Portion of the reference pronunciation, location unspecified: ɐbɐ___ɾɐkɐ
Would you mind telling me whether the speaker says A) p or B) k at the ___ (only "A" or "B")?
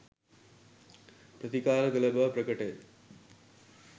A